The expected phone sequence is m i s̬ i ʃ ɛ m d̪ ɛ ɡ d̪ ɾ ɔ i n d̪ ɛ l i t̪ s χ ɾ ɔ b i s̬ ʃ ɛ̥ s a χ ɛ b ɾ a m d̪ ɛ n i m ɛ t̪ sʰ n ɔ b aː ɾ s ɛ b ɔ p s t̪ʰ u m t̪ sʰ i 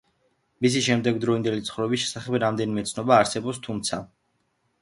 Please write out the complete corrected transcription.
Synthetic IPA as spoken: m i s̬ i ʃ ɛ m d̪ ɛ ɡ d̪ ɾ ɔ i n d̪ ɛ l i t̪ s χ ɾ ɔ b i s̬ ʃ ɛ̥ s a χ ɛ b ɾ a m d̪ ɛ n i m ɛ t̪ sʰ n ɔ b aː ɾ s ɛ b ɔ p s t̪ʰ u m t̪ sʰ a